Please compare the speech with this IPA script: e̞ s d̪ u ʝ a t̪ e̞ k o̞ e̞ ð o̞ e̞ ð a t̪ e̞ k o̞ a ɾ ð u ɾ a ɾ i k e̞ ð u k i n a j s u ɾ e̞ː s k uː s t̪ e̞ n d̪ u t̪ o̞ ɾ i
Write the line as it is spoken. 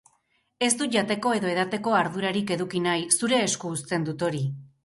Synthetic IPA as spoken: e̞ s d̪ u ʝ a t̪ e̞ k o̞ e̞ ð o̞ e̞ ð a t̪ e̞ k o̞ a ɾ ð u ɾ a ɾ i k e̞ ð u k i n a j s u ɾ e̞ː s k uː s t̪ e̞ n d̪ u t̪ o̞ ɾ i